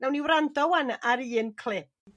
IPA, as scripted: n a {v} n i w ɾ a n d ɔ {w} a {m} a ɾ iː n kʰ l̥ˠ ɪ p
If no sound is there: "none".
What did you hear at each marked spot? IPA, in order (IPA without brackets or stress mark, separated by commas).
w, w, n